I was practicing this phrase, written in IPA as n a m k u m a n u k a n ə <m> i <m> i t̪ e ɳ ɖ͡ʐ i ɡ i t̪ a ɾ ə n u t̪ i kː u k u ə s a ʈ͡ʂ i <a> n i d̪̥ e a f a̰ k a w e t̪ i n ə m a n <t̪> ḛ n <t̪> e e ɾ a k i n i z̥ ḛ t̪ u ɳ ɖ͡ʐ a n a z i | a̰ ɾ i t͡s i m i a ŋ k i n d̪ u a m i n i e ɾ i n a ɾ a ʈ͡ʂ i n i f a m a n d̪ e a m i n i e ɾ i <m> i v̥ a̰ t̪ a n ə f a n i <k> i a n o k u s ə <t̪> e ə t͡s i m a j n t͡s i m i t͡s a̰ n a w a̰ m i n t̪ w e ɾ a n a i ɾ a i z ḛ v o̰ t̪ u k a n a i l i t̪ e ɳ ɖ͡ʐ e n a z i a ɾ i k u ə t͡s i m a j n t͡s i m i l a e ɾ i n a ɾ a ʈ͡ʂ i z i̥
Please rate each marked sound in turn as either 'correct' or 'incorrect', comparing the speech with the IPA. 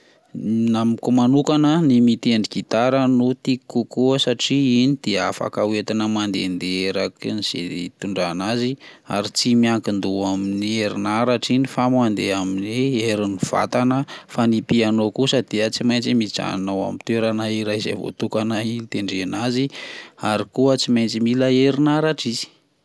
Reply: incorrect: n, correct, incorrect: i, incorrect: d̪, incorrect: d̪, incorrect: n, incorrect: p, incorrect: d̪

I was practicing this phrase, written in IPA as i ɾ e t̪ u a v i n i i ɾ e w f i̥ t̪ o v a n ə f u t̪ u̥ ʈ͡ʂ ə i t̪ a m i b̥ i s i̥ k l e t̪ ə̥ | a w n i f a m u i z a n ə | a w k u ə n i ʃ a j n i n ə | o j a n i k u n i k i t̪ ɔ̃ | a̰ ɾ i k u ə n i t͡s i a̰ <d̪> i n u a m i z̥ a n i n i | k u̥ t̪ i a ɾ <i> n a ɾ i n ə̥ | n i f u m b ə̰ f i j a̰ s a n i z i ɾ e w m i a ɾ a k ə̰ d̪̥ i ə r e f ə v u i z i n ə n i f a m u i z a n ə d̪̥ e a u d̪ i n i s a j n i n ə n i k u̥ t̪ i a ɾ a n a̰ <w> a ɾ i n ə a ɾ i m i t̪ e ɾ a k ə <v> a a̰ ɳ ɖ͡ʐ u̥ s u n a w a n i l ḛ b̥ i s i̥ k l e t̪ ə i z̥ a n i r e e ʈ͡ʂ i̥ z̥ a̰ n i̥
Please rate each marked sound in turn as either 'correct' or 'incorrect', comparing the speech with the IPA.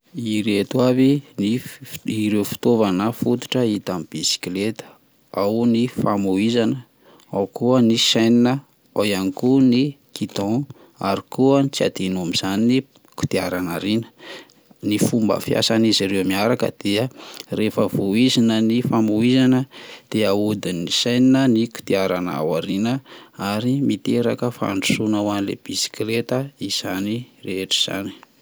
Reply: correct, incorrect: a, correct, incorrect: f

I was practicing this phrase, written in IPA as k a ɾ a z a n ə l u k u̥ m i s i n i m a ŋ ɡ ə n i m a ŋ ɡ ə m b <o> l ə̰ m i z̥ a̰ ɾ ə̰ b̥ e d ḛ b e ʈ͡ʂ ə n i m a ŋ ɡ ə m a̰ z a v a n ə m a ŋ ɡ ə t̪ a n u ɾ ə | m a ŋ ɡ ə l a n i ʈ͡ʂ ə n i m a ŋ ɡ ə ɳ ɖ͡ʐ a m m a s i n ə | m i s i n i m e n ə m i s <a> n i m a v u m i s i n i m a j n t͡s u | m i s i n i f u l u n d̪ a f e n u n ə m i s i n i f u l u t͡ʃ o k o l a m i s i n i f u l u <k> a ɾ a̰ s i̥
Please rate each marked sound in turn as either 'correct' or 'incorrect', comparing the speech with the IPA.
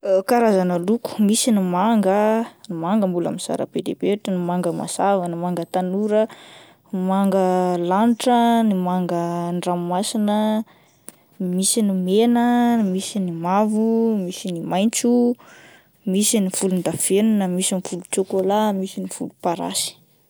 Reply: incorrect: u, incorrect: i, incorrect: p

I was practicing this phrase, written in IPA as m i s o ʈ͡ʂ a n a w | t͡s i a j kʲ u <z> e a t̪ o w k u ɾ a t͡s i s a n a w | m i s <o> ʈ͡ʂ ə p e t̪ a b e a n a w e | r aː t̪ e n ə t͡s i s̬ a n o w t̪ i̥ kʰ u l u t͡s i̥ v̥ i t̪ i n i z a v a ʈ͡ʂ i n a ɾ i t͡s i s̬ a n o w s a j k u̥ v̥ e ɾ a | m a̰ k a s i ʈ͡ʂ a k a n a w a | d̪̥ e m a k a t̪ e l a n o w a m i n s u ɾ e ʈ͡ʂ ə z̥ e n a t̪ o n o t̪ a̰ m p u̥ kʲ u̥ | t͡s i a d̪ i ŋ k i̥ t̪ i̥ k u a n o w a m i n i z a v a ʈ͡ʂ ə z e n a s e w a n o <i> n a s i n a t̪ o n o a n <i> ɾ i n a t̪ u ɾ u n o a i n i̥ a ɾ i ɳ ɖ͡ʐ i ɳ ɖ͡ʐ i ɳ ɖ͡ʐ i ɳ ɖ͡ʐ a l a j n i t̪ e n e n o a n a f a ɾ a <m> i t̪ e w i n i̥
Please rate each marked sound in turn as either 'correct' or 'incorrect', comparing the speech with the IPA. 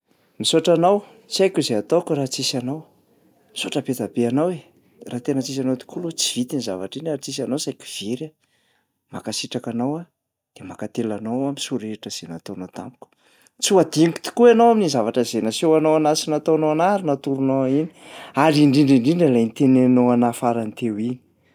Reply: correct, correct, incorrect: a, incorrect: a, incorrect: n

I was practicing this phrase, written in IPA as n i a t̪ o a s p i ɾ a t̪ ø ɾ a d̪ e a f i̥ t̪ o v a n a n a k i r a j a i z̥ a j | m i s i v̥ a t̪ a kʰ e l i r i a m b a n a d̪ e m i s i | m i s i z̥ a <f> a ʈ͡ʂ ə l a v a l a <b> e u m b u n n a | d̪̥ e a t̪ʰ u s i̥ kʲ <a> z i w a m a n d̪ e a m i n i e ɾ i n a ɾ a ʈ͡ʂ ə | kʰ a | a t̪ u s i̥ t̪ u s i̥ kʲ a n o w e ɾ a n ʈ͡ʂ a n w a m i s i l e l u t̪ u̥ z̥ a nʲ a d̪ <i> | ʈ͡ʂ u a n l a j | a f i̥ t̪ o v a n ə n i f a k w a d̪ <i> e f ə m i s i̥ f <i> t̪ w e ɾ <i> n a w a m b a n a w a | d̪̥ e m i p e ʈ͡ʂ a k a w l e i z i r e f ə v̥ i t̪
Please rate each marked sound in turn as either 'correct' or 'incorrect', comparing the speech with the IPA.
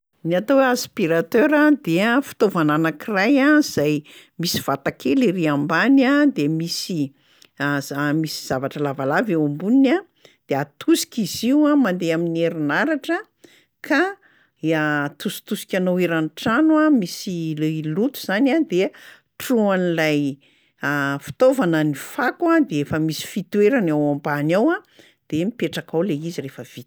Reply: incorrect: v, incorrect: v, incorrect: i, incorrect: e, incorrect: e, correct, incorrect: a

